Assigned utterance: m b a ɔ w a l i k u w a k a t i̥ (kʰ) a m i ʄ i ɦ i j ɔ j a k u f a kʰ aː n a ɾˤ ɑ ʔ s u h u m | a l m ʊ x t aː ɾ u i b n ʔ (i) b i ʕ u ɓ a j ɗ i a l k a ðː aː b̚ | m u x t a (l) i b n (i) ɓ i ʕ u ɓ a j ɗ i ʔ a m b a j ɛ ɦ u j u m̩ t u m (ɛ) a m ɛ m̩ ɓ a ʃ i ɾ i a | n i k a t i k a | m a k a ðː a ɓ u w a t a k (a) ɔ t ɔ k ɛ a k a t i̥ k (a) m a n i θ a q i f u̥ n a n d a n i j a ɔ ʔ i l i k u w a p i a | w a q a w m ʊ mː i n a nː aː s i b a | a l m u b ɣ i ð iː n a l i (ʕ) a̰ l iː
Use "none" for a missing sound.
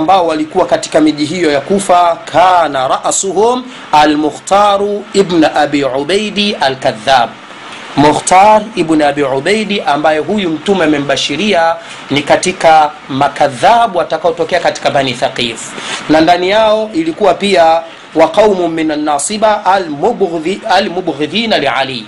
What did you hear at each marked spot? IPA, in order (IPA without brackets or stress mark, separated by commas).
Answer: k, a, ɾ, a, ɛ, a, a, ʕ